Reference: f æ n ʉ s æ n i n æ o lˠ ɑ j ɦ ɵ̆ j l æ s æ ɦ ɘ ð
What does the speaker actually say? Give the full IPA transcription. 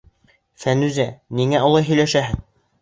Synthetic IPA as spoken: f æ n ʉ z æ n i ŋ æ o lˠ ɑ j ɦ ɵ̆ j l æ ʃ æ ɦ ɘ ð